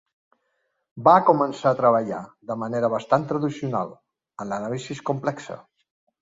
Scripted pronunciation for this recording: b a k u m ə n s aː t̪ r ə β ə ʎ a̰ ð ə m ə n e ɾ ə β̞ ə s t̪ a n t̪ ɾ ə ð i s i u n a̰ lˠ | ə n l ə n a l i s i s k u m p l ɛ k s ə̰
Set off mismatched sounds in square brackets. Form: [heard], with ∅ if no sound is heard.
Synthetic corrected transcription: b a k u m ə n s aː t̪ [ɾ] ə β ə ʎ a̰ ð ə m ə n e ɾ ə β̞ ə s t̪ a n t̪ ɾ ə ð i s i u n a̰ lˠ | ə n l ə n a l i s i s k u m p l ɛ k s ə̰

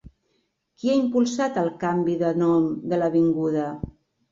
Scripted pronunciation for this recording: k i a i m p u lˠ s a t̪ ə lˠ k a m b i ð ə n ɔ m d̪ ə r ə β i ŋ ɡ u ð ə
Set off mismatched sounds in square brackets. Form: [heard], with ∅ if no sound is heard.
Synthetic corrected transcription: k i a i m p u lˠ s a t̪ ə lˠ k a m b i ð ə n ɔ m d̪ ə [l] ə β i ŋ ɡ u ð ə

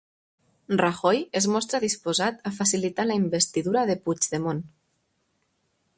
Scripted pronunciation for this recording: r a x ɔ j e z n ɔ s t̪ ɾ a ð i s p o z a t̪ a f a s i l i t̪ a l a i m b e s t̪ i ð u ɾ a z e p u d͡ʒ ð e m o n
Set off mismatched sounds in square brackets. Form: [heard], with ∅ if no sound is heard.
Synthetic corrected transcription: r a x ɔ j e z [m] ɔ s t̪ ɾ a ð i s p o z a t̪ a f a s i l i t̪ a l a i m b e s t̪ i ð u ɾ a [ð] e p u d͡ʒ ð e m o n

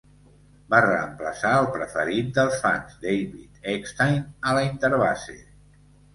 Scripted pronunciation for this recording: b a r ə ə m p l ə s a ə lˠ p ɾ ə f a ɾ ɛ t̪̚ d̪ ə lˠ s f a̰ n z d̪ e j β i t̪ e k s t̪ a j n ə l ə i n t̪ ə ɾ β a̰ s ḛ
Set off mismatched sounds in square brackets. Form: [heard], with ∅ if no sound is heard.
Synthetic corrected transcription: b a r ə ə m p l ə s a ə lˠ p ɾ ə f [ə] ɾ [i] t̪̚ d̪ ə lˠ s f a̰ n z d̪ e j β i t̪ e k s t̪ a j n ə l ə i n t̪ ə ɾ β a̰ s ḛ

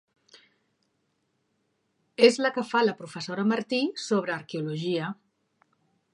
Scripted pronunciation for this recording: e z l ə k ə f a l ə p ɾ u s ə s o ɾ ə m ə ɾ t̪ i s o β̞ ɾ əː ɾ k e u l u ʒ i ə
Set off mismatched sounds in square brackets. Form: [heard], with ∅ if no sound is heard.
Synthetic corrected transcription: e z l ə k ə f a l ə p ɾ u [f] ə s o ɾ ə m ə ɾ t̪ i s o β̞ ɾ əː ɾ k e u l u ʒ i ə

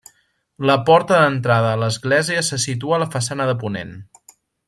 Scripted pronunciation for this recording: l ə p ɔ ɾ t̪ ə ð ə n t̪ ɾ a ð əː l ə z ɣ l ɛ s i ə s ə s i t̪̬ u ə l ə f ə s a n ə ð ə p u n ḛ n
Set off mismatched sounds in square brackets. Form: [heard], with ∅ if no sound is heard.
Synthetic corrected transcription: l ə p ɔ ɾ t̪ ə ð ə n t̪ ɾ a ð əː l ə z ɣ l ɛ [z] i ə s ə s i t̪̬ u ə l ə f ə s a n ə ð ə p u n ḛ n

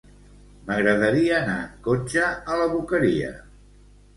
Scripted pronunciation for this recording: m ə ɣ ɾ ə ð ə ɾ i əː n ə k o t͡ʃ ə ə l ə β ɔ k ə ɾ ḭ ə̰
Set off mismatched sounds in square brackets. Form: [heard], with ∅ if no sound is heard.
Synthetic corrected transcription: m ə ɣ ɾ ə ð ə ɾ i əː n [a] k o t͡ʃ ə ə l ə β [u] k ə ɾ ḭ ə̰

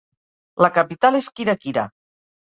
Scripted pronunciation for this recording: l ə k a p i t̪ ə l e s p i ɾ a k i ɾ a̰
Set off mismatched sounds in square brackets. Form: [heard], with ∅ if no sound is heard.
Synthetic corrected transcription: l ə k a p i t̪ [a] l e s [k] i ɾ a k i ɾ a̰

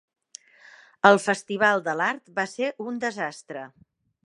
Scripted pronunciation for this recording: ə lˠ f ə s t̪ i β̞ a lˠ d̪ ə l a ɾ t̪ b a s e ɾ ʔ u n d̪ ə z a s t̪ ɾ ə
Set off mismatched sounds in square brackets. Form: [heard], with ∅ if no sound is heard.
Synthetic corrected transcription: ə lˠ f ə s t̪ i β̞ a lˠ d̪ ə l a ɾ t̪ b a s e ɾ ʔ u n d̪ ə z a s t̪ ɾ ə

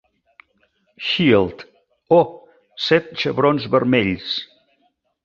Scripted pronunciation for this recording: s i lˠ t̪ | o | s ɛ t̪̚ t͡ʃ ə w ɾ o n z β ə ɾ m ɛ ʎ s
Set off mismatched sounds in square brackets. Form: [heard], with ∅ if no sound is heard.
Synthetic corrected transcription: [ʃ] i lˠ t̪ | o | s ɛ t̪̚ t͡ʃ ə [β] ɾ o n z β ə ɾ m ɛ ʎ s

